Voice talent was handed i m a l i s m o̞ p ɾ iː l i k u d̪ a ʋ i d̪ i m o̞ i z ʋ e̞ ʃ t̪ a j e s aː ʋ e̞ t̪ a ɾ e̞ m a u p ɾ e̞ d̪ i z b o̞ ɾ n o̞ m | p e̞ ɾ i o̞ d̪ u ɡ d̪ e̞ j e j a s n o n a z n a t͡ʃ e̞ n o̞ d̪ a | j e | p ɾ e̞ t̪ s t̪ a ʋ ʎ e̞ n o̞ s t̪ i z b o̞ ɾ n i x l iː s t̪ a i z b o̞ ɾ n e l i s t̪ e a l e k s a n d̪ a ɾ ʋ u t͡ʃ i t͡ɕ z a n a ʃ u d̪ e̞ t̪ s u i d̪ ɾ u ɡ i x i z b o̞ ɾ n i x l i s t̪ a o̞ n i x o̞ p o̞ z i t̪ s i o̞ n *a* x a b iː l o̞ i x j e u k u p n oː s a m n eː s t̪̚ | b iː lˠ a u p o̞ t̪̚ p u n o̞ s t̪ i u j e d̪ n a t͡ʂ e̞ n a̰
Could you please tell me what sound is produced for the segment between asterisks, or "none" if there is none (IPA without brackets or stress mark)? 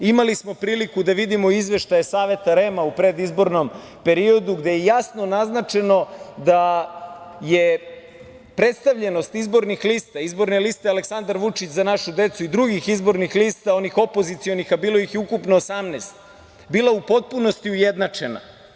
i